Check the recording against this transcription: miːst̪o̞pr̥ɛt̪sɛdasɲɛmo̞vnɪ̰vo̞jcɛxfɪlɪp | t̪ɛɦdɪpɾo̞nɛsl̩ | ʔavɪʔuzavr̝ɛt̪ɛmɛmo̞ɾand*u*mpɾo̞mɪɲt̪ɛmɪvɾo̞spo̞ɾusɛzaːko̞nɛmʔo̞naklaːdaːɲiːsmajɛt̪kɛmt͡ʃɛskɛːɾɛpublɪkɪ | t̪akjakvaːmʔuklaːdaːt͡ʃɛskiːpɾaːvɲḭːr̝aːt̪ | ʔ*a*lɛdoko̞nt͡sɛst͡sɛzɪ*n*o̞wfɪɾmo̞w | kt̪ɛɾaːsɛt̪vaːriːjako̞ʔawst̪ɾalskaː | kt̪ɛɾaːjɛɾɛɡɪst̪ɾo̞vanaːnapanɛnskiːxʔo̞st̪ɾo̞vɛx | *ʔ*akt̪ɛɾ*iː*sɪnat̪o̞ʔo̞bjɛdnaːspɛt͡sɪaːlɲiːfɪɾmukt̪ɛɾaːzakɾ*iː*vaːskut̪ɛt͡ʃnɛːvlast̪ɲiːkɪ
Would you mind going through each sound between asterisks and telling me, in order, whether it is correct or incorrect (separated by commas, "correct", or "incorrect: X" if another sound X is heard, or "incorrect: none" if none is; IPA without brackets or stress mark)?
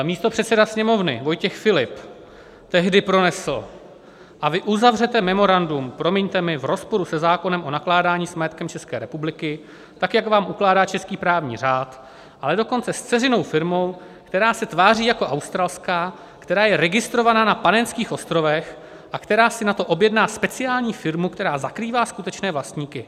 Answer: correct, correct, correct, correct, incorrect: aː, correct